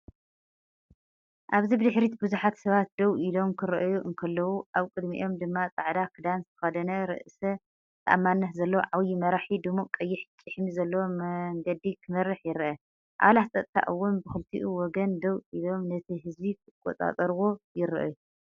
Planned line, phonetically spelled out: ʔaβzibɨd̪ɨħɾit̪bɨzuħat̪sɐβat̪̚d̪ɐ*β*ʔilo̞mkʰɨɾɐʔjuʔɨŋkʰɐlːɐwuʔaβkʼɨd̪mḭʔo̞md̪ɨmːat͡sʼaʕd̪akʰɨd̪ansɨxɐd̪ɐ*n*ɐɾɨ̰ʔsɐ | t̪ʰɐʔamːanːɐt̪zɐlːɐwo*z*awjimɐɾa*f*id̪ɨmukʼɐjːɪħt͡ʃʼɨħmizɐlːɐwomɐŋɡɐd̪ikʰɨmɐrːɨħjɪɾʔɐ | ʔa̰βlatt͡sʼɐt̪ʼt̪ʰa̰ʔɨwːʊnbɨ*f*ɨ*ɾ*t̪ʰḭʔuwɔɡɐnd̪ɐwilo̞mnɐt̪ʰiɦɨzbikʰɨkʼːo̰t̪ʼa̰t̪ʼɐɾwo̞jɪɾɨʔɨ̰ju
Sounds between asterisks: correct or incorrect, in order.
incorrect: w, correct, incorrect: ʕ, incorrect: ħ, incorrect: x, incorrect: l

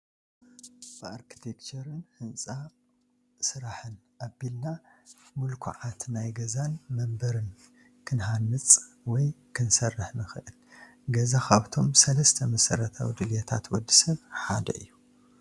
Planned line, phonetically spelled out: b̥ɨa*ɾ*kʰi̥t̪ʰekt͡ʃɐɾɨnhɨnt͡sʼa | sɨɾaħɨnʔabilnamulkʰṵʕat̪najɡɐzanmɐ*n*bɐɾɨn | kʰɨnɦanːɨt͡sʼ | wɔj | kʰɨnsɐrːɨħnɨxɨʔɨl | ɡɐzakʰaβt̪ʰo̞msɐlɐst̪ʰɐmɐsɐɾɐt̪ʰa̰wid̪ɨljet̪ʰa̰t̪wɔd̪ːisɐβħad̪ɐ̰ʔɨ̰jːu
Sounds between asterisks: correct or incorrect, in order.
correct, incorrect: m

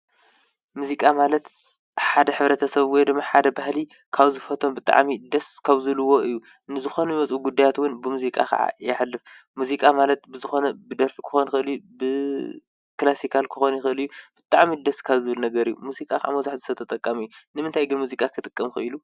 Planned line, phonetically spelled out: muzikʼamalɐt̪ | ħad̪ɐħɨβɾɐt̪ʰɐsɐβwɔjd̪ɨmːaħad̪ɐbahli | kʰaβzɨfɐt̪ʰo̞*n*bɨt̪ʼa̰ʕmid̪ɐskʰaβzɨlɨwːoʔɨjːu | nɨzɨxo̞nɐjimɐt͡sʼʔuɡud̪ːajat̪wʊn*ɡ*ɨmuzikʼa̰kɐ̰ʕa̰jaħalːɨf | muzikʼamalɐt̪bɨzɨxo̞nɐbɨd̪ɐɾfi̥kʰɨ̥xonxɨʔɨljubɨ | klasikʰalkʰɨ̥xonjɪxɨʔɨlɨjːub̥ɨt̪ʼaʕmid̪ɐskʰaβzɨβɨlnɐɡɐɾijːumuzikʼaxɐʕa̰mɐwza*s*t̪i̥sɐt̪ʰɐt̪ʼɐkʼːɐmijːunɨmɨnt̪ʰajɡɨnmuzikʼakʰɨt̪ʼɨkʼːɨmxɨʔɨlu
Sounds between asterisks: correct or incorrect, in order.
incorrect: m, incorrect: b, incorrect: ħ

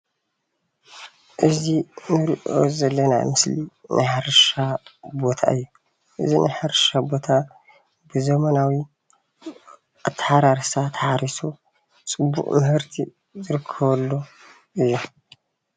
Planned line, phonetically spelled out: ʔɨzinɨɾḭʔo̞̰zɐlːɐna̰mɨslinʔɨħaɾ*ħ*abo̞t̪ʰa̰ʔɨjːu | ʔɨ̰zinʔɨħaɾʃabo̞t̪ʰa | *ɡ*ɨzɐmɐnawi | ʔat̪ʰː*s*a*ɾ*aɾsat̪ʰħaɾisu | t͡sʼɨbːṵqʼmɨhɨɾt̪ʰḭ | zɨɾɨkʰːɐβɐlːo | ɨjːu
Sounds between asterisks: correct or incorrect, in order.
incorrect: ʃ, incorrect: b, incorrect: ħ, correct

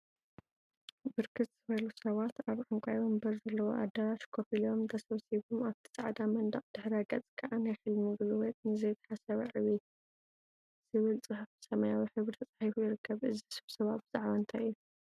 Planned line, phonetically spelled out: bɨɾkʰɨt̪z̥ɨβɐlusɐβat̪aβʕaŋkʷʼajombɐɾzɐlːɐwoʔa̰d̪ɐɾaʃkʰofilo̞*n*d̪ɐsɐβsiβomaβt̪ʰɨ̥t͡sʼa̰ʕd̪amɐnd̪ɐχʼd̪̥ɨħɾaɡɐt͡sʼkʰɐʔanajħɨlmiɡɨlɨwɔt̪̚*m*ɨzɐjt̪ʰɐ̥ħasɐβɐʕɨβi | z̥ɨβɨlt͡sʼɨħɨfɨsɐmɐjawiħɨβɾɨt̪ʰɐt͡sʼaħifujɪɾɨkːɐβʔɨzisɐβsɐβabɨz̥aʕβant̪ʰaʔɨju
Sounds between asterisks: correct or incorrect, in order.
incorrect: m, incorrect: n

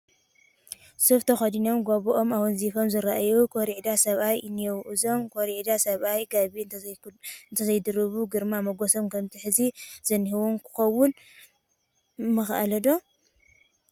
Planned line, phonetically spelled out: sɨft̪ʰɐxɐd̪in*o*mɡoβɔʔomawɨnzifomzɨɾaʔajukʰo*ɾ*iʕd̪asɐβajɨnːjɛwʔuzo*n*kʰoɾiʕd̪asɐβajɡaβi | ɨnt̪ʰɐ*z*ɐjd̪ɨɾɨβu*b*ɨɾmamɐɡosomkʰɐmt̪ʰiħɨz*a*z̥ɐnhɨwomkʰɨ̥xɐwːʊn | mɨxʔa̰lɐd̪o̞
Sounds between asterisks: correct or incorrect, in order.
correct, correct, incorrect: m, correct, incorrect: ɡ, incorrect: i

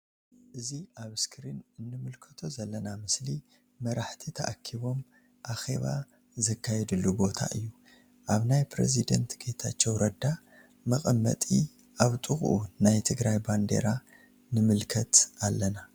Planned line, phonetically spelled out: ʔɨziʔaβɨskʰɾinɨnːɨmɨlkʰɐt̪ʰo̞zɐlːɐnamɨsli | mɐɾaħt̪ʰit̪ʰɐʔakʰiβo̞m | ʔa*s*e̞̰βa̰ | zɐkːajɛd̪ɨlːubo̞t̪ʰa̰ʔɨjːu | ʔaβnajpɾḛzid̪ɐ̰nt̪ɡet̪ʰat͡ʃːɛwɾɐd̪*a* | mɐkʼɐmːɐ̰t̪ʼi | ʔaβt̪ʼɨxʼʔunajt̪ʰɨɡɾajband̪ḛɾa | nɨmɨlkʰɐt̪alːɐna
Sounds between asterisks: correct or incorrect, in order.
incorrect: x, correct

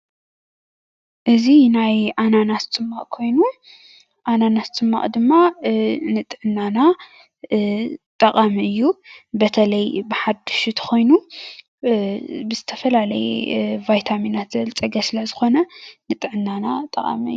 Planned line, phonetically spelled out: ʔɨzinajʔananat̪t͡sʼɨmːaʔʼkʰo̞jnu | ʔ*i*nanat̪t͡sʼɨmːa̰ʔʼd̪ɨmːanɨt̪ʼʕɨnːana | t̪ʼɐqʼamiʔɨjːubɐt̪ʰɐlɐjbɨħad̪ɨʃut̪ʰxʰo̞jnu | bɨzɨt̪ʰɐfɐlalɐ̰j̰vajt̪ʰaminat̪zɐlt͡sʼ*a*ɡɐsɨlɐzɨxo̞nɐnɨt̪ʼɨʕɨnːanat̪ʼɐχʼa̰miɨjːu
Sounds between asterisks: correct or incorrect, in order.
incorrect: a, incorrect: ɐ

